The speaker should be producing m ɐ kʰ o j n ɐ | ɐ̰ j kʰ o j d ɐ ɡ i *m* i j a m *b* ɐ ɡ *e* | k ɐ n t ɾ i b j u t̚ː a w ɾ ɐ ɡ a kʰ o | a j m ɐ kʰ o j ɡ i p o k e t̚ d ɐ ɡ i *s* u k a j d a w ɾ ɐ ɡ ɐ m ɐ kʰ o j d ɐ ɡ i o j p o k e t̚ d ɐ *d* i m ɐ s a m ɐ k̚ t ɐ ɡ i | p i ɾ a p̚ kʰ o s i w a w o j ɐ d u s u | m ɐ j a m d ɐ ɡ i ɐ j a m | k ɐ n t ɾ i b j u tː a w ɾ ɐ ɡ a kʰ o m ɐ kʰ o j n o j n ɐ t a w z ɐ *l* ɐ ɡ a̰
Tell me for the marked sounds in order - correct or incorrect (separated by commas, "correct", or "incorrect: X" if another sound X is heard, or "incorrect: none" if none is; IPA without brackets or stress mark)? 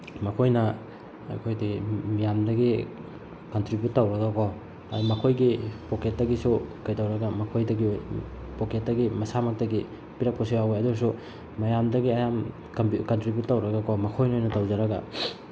correct, incorrect: d, incorrect: i, correct, incorrect: ɡ, incorrect: ɾ